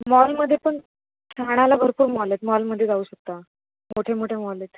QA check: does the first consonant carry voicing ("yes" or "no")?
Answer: yes